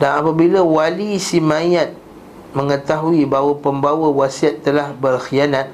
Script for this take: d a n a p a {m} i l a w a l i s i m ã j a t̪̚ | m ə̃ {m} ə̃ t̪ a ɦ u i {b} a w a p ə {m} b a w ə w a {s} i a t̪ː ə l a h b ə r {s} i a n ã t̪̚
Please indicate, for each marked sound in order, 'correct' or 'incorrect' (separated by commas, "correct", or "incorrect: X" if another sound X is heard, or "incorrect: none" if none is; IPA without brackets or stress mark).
incorrect: b, incorrect: ŋ, correct, correct, correct, incorrect: x